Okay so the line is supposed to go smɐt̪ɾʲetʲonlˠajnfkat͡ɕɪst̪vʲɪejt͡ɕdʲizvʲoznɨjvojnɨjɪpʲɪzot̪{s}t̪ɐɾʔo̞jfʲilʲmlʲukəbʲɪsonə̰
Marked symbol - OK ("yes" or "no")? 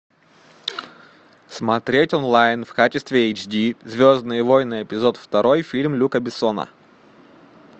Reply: no